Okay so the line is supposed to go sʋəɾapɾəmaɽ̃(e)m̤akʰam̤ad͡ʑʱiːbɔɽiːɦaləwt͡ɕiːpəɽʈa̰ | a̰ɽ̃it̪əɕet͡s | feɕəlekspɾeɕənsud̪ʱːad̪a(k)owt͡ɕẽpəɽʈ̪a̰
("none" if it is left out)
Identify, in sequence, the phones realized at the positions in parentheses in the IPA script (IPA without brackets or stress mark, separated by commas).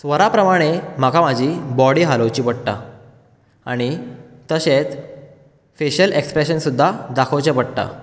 e, kʰ